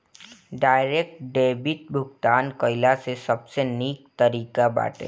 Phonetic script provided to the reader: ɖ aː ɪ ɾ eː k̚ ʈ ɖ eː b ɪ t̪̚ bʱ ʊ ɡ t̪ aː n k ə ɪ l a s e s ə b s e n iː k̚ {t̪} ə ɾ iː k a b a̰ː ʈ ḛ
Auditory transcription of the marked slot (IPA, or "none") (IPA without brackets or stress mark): t̪